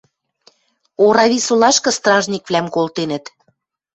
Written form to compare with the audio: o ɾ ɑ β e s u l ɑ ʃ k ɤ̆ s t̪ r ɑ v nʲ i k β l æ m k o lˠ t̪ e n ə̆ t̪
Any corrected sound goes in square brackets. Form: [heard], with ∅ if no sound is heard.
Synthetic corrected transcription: o ɾ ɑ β [i] s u l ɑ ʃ k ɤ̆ s t̪ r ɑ [ʒ] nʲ i k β l æ m k o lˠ t̪ e n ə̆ t̪